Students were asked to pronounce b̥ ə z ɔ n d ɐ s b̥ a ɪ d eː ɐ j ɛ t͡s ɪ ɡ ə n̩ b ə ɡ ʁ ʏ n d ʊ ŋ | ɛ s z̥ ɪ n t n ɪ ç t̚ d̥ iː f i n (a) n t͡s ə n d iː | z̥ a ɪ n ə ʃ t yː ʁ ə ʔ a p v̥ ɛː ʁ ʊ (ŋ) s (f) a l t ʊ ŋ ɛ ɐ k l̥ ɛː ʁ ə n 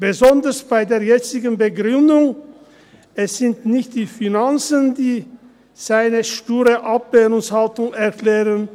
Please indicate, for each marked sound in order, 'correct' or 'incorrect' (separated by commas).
correct, correct, incorrect